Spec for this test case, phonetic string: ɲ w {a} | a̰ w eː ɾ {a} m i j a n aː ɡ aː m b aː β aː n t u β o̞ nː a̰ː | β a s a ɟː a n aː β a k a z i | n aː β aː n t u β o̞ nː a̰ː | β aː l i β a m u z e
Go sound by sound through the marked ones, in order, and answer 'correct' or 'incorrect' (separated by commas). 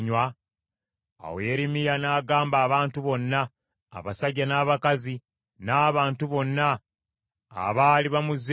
correct, incorrect